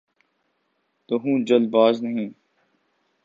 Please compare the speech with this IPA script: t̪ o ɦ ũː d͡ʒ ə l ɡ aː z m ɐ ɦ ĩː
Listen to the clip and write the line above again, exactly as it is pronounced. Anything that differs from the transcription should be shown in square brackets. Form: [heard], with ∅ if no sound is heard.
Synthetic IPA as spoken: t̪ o ɦ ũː d͡ʒ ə l [b] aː z [n] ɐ ɦ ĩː